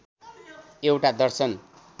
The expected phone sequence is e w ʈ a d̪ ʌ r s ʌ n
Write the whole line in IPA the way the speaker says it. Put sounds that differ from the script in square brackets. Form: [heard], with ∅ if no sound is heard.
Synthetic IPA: e w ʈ a d̪ ʌ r s ʌ n